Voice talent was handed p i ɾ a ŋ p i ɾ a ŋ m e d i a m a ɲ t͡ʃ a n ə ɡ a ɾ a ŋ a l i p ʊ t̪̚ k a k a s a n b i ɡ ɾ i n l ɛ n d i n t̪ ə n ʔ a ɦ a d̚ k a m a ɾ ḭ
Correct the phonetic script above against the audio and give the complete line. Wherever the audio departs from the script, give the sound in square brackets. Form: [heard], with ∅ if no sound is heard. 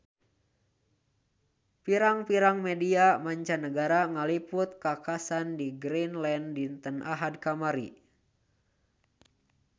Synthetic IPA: p i ɾ a ŋ p i ɾ a ŋ m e d i a m a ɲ t͡ʃ a n ə ɡ a ɾ a ŋ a l i p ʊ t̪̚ k a k a s a n [d] i ɡ ɾ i n l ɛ n d i n t̪ ə n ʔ a ɦ a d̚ k a m a ɾ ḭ